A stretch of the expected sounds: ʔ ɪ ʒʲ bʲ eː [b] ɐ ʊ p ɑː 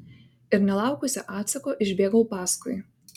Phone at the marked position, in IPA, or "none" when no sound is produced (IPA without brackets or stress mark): ɡ